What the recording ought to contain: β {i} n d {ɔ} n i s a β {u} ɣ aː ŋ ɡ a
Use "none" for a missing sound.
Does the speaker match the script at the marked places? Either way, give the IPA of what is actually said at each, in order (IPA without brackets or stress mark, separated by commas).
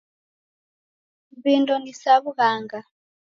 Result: i, ɔ, u